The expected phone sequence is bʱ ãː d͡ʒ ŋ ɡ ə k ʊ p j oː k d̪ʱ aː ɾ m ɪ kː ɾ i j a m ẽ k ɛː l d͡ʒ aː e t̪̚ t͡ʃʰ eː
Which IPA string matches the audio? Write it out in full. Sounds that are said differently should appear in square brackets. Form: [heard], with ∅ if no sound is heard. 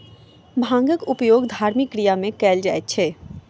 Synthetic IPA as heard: bʱ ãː [∅] ŋ ɡ ə k ʊ p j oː [ɡ] d̪ʱ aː ɾ m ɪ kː ɾ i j a m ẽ k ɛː l d͡ʒ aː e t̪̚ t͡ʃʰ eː